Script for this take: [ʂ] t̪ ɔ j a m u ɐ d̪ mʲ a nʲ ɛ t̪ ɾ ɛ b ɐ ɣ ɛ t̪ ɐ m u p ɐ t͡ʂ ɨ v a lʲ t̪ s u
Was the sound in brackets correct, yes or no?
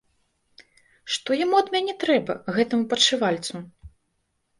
yes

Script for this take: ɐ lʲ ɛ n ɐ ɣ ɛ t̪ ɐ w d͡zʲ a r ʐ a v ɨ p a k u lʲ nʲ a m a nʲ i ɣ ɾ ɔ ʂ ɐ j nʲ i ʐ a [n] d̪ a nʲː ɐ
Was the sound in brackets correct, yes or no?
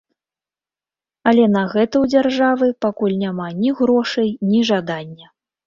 no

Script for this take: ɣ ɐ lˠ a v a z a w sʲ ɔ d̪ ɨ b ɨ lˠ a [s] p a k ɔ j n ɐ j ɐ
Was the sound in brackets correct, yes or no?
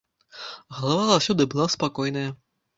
yes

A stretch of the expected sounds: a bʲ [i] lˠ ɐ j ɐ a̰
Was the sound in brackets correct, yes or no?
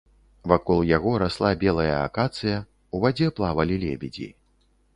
no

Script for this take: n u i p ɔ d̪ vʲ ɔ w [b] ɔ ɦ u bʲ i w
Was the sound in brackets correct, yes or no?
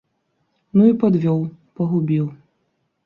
no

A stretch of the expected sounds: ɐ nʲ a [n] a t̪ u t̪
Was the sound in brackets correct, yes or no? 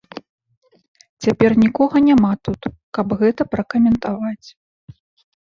no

